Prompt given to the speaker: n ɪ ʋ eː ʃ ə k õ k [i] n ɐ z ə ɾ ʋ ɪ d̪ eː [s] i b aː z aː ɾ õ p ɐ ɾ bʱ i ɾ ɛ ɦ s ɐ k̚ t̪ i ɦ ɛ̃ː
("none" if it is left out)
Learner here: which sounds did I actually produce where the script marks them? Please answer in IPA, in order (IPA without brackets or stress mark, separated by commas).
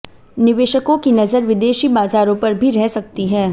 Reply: i, ʃ